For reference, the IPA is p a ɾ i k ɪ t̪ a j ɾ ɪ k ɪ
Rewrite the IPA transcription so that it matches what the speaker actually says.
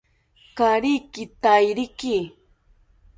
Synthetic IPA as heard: k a ɾ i k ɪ t̪ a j ɾ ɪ k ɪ